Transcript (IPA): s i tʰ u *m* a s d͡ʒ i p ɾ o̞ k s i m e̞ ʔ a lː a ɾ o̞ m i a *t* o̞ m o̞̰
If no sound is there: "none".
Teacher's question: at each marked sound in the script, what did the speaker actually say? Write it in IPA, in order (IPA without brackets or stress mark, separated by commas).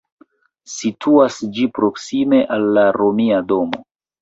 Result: none, d